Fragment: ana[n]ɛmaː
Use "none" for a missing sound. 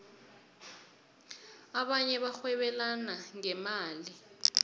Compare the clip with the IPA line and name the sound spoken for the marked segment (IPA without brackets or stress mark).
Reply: ŋ